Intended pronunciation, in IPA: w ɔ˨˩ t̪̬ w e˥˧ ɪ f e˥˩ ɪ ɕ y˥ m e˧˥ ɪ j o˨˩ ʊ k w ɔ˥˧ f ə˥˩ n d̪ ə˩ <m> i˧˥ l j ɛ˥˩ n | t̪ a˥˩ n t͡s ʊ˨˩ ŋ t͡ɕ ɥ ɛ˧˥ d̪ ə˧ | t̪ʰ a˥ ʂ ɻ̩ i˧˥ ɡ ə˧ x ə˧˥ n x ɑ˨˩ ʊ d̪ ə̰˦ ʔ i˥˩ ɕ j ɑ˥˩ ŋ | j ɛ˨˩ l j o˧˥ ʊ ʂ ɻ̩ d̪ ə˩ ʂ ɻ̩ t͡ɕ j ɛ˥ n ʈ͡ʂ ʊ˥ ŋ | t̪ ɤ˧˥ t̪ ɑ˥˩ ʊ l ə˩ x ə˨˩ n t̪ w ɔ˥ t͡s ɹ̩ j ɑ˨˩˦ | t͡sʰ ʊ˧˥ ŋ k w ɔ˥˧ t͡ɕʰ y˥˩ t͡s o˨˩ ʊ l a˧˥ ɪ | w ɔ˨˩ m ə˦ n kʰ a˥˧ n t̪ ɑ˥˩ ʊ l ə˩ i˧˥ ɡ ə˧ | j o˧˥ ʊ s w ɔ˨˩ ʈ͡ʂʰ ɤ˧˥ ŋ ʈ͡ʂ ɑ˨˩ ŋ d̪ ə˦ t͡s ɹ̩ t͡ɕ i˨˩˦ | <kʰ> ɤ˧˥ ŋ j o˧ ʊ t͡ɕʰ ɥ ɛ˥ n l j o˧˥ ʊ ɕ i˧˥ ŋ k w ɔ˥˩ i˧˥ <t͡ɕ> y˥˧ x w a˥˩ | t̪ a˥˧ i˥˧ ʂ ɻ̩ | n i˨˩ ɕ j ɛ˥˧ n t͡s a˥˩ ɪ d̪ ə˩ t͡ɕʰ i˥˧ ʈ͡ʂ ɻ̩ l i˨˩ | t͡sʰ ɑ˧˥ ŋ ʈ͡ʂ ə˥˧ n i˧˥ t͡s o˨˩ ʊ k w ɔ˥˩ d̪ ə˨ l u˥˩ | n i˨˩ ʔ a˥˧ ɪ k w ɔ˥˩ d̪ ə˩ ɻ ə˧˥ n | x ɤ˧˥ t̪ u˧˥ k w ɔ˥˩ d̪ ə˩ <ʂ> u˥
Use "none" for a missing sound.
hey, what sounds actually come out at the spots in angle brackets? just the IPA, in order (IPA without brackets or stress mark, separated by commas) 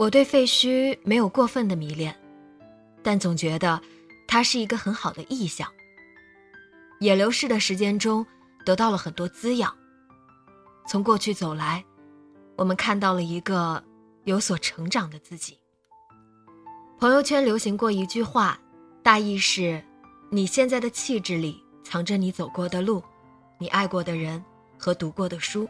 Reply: m, pʰ, t͡ɕ, ʂ